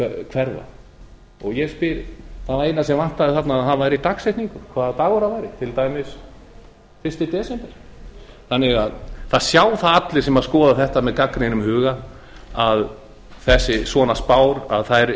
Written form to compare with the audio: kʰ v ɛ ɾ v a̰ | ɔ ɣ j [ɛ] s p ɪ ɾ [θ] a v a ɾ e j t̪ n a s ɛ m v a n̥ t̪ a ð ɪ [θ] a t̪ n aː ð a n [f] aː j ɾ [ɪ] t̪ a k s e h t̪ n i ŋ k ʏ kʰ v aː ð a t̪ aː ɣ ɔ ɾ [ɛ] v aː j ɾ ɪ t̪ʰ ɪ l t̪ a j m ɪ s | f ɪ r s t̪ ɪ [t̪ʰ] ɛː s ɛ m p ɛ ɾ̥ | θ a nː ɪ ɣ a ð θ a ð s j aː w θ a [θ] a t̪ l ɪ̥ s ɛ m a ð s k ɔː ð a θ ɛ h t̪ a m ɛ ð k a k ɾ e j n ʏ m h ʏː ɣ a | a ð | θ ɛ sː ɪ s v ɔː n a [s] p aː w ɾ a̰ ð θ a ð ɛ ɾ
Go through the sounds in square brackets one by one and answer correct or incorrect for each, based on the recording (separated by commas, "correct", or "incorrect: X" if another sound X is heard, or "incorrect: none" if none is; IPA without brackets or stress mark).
correct, correct, correct, incorrect: v, incorrect: i, incorrect: a, incorrect: t̪, incorrect: ð, correct